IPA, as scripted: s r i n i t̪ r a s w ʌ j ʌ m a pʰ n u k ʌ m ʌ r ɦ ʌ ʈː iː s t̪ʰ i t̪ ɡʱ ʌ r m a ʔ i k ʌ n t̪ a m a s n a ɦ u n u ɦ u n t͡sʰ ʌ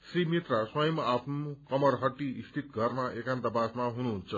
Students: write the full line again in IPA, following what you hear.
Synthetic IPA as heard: s r i m i t̪ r a s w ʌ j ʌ m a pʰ n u k ʌ m ʌ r ɦ ʌ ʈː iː s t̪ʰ i t̪ ɡʱ ʌ r m a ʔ e k a n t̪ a b a s m a ɦ u n u ɦ u n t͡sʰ ʌ